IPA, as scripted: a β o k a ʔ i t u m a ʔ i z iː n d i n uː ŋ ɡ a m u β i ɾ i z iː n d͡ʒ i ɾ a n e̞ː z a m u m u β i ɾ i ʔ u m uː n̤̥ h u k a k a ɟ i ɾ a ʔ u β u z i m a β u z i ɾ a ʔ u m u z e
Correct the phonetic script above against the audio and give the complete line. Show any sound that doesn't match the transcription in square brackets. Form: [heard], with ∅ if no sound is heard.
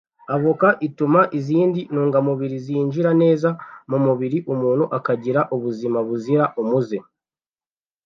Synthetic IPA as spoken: a β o k a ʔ i t u m a ʔ i z iː n d i n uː ŋ ɡ a m u β i ɾ i z iː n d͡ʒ i ɾ a n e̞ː z a m u m u β i ɾ i ʔ u m uː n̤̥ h u [ʔ] a k a ɟ i ɾ a ʔ u β u z i m a β u z i ɾ a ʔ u m u z e